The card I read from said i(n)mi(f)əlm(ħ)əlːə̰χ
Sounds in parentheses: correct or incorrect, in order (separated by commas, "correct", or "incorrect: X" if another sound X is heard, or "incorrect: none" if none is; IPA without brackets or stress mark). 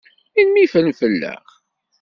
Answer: correct, correct, incorrect: f